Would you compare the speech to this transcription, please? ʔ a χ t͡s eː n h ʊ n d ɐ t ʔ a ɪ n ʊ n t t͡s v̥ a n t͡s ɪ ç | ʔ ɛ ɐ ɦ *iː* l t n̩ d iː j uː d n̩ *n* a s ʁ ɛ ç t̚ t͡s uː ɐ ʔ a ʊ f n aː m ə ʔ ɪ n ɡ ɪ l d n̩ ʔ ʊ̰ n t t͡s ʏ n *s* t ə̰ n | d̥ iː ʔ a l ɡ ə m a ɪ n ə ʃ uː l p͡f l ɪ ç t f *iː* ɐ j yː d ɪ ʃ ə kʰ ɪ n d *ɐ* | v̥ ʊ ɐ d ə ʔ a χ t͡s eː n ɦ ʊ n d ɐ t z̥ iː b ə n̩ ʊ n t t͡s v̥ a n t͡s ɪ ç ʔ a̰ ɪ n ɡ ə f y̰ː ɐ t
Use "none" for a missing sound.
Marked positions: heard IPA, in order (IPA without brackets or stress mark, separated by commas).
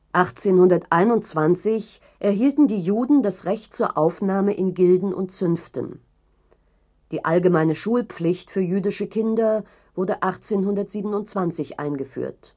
iː, d, f, yː, ɐ